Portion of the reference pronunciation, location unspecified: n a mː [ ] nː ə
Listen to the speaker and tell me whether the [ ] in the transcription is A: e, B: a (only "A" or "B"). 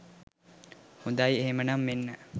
A